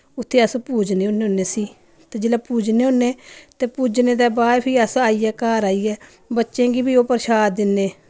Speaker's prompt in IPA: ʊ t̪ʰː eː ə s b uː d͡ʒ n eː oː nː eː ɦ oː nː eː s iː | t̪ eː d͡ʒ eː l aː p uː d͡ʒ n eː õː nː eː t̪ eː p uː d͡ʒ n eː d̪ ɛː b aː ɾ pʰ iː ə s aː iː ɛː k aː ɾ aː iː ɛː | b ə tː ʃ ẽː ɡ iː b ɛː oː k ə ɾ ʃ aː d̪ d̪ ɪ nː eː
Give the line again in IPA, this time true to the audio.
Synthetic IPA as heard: ʊ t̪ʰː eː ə s p uː d͡ʒ n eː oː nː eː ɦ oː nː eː s iː | t̪ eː d͡ʒ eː l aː p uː d͡ʒ n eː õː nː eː t̪ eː p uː d͡ʒ n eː d̪ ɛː b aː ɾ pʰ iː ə s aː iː ɛː k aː ɾ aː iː ɛː | b ə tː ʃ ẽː ɡ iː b iː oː p ə ɾ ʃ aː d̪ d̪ ɪ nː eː